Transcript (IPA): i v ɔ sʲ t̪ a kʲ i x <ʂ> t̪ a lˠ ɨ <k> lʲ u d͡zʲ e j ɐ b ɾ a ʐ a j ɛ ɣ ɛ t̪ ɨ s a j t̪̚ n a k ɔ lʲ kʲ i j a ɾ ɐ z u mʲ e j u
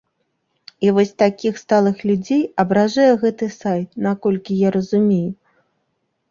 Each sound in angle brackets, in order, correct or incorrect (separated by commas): incorrect, incorrect